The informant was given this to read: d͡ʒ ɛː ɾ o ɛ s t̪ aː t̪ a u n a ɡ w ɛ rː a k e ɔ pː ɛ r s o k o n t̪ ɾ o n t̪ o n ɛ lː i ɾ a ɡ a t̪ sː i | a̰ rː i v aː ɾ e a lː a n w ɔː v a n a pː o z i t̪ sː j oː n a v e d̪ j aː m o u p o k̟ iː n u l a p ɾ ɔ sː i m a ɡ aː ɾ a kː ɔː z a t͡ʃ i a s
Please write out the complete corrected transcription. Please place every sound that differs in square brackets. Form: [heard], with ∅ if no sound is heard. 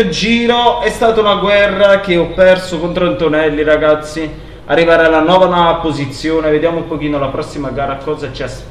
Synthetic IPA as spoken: d͡ʒ [iː] ɾ o ɛ s t̪ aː t̪ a u n a ɡ w ɛ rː a k e ɔ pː ɛ r s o k o n t̪ ɾ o n t̪ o n ɛ lː i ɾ a ɡ a t̪ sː i | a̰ rː i v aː ɾ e a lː a n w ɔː v a n a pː o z i t̪ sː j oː n [e] v e d̪ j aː m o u p o k̟ iː n [o] l a p ɾ ɔ sː i m a ɡ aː ɾ a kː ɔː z a t͡ʃ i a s